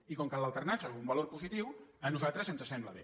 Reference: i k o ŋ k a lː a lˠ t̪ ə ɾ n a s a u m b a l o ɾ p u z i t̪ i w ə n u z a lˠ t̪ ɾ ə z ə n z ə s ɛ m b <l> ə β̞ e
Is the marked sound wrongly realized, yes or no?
no